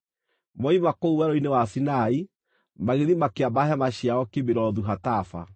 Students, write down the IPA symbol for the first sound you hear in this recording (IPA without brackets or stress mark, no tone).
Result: m